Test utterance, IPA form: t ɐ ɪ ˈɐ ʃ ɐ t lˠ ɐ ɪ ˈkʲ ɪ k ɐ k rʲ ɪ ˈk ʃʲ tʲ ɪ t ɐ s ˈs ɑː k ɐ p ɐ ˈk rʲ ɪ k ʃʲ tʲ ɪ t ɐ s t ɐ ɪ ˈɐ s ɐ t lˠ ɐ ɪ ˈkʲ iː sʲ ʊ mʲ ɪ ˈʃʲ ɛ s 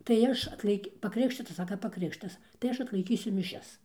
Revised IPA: t ɐ ɪ ˈɐ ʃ ɐ t lˠ ɐ ɪ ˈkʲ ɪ p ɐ k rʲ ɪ ˈk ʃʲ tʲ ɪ t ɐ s ˈs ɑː k ɐ p ɐ ˈk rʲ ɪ k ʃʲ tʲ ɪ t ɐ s t ɐ ɪ ˈɐ ʃ ɐ t lˠ ɐ ɪ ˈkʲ iː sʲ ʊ mʲ ɪ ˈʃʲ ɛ s